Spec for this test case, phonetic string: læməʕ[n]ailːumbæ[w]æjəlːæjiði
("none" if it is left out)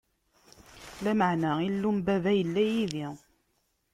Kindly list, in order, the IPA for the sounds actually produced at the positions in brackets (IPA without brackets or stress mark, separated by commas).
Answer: n, v